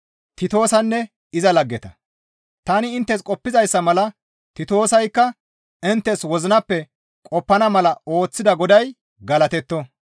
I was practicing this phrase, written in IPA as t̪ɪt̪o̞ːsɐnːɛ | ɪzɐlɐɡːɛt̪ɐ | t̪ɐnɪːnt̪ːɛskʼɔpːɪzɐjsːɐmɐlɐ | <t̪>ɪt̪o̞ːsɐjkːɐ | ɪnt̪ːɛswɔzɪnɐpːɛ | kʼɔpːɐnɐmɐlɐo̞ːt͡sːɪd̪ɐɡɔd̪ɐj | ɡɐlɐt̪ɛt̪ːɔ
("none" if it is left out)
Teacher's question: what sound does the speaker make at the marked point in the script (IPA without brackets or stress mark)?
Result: t̪